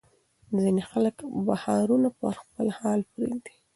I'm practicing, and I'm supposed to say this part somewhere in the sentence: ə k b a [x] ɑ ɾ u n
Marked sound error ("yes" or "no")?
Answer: yes